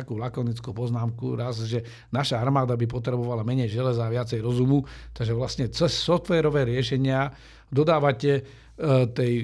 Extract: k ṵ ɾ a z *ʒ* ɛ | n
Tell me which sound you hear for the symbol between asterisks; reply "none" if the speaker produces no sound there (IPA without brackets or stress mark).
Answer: ʒ